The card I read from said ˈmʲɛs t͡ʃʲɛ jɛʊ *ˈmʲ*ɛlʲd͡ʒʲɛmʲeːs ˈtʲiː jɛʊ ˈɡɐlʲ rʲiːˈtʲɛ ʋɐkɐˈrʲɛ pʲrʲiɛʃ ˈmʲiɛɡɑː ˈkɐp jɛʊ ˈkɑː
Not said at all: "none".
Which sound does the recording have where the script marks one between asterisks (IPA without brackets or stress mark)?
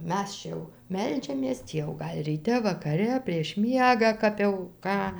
mʲ